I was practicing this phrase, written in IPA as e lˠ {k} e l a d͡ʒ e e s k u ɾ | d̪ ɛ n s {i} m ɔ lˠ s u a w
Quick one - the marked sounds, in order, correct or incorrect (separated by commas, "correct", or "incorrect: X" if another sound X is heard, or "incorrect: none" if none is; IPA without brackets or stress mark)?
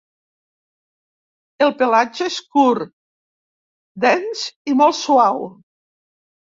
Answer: incorrect: p, correct